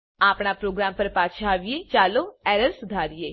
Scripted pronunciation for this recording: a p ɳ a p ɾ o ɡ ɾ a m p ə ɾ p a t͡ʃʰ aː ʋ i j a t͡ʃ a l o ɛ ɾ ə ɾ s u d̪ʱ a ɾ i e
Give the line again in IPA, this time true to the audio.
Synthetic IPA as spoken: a p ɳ a p ɾ o ɡ ɾ a m p ə ɾ p a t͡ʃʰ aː ʋ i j e t͡ʃ a l o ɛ ɾ ə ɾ s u d̪ʱ a ɾ j e